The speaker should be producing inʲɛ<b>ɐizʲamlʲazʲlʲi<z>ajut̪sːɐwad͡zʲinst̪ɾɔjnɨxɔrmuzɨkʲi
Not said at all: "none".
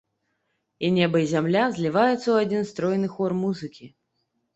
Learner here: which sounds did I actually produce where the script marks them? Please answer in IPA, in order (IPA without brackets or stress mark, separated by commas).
b, v